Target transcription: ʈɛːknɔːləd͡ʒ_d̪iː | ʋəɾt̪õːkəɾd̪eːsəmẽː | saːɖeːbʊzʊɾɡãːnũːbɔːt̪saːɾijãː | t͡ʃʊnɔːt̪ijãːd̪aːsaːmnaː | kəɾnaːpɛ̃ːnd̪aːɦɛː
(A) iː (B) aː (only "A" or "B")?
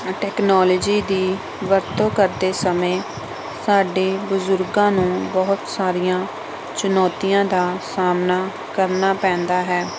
A